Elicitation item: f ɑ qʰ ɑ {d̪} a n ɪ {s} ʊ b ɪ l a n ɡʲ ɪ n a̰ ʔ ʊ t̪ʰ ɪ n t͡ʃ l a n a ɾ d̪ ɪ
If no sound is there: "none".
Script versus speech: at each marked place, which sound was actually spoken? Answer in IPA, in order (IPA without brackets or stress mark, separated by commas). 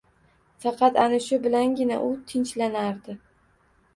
t̪, ʃ